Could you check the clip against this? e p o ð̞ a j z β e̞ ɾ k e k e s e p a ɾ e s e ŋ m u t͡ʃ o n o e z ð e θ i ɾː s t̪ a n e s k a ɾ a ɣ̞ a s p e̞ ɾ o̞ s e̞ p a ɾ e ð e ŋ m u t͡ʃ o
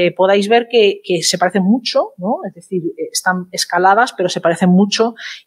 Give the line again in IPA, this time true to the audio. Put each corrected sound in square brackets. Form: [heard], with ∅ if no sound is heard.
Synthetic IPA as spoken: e p o ð̞ a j z β e̞ ɾ k e k e s e p a ɾ e [θ] e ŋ m u t͡ʃ o n o e z ð e θ i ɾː s t̪ a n e s k a [l] a [ð̞] a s p e̞ ɾ o̞ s e̞ p a ɾ e [θ] e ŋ m u t͡ʃ o

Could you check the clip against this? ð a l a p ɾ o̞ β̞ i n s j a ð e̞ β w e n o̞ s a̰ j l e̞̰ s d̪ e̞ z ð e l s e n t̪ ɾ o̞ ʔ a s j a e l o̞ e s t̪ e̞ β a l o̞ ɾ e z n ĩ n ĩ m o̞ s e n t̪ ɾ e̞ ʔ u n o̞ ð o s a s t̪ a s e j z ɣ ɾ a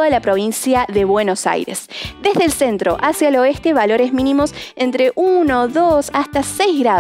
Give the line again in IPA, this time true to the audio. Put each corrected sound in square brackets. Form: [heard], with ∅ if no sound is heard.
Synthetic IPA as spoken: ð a l a p ɾ o̞ β̞ i n s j a ð e̞ β w e n o̞ s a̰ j [ɾ] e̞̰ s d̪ e̞ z ð e l s e n t̪ ɾ o̞ ʔ a s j a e l o̞ e s t̪ e̞ β a l o̞ ɾ e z [m] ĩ n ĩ m o̞ s e n t̪ ɾ e̞ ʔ u n o̞ ð o s a s t̪ a s e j z ɣ ɾ a

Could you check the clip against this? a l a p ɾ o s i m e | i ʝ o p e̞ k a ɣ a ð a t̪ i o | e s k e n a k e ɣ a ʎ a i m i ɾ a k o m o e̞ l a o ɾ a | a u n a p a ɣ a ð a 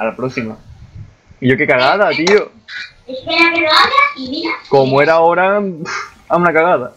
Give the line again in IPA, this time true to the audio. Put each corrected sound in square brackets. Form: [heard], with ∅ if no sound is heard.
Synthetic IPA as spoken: a l a p ɾ o s i m [a] | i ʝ o [k] e̞ k a ɣ a ð a t̪ i o | e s k e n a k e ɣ a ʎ a i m i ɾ a k o m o e̞ [ɾ] a o ɾ a | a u n a [k] a ɣ a ð a

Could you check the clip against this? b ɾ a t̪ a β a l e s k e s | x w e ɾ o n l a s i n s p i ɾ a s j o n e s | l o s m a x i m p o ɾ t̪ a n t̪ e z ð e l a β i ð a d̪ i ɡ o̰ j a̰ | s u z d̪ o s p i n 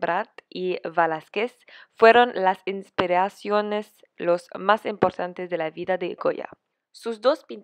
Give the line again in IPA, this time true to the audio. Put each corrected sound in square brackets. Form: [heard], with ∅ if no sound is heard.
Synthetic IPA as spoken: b ɾ a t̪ [i] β a l [a] s k e s | [f] w e ɾ o n l a s i n s p i ɾ a s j o n e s | l o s m a [s] i m p o ɾ t̪ a n t̪ e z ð e l a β i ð a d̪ [e] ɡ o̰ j a̰ | s u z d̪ o s p i n

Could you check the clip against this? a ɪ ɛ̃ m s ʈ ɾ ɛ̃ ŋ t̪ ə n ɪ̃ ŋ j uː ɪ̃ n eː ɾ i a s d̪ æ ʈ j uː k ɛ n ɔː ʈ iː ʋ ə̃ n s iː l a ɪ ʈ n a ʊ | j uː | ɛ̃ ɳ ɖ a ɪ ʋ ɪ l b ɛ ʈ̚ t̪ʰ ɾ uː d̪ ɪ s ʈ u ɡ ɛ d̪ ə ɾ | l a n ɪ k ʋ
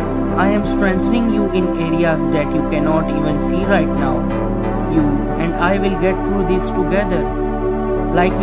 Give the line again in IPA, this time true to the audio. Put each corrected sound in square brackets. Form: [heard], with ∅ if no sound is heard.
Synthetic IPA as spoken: a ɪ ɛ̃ m s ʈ ɾ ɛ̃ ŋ t̪ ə n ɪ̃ ŋ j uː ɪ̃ n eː ɾ i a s d̪ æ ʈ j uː k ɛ n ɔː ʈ iː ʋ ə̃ n s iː [ɾ] a ɪ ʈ n a ʊ | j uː | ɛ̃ ɳ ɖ a ɪ ʋ ɪ l [ɡ] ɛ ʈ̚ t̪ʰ ɾ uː d̪ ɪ s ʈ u ɡ ɛ d̪ ə ɾ | l a [∅] ɪ k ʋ

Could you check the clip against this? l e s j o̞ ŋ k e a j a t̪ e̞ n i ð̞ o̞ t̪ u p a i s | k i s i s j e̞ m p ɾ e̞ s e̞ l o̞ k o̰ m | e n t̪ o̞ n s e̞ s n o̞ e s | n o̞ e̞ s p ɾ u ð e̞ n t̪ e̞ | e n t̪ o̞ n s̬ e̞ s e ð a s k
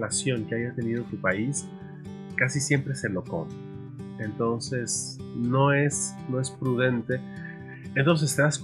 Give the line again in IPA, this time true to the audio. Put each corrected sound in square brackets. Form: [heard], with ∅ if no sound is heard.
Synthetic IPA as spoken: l [a] s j o̞ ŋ k e a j a t̪ e̞ n i ð̞ o̞ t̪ u p a i s | k [a] s i s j e̞ m p ɾ e̞ s e̞ l o̞ k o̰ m | e n t̪ o̞ n s e̞ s n o̞ e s | n o̞ e̞ s p ɾ u ð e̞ n t̪ e̞ | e n t̪ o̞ n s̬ e̞ s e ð a s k

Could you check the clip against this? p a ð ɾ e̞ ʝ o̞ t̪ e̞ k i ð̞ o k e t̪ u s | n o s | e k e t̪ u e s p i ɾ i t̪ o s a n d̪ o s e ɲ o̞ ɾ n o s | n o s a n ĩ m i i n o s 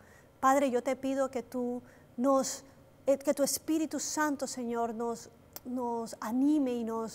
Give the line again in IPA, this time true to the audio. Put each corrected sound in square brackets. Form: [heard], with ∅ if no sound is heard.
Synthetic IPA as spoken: p a ð ɾ e̞ ʝ o̞ t̪ e̞ [p] i ð̞ o k e t̪ u [∅] | n o s | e k e t̪ u e s p i ɾ i t̪ [u] s a n [t̪] o s e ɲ o̞ ɾ n o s | n o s a n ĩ m [e] i n o s

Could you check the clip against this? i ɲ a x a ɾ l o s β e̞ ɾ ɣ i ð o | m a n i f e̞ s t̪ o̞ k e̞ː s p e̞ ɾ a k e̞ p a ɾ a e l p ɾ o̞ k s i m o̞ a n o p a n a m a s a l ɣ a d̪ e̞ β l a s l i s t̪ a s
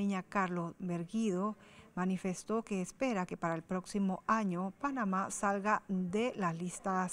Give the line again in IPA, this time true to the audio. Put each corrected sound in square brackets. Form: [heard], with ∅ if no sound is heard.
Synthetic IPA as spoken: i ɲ a [k] a ɾ l o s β e̞ ɾ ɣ i ð o | m a n i f e̞ s t̪ o̞ k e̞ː s p e̞ ɾ a k e̞ p a ɾ a e l p ɾ o̞ k s i m o̞ a [ɲ] o p a n a m a s a l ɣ a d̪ e̞ [∅] l a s l i s t̪ a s

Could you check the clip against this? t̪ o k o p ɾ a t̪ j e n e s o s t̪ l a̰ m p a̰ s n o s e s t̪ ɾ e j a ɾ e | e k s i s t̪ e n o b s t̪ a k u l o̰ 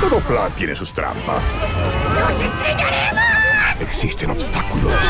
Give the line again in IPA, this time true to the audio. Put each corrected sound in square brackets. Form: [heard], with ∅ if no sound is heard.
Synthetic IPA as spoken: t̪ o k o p [l] a t̪ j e n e s [u] s t̪ [ɾ] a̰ m p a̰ s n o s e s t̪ ɾ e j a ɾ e | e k s i s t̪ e n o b s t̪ a k u l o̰

